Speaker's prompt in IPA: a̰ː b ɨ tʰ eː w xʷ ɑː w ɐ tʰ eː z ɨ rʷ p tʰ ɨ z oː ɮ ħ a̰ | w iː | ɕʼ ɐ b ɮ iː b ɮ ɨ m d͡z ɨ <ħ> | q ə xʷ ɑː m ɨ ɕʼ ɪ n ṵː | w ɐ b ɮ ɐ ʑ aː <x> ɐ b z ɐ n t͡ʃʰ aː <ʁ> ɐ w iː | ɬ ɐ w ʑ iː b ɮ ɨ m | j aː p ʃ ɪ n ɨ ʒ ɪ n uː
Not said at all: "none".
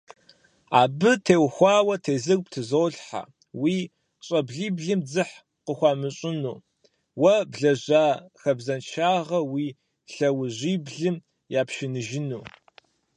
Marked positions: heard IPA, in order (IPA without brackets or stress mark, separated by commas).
ħ, x, ʁ